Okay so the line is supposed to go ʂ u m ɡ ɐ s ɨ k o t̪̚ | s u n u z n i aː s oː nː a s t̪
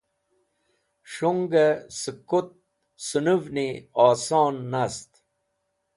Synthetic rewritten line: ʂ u ŋ ɡ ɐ s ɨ k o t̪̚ | s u n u v n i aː s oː nː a s t̪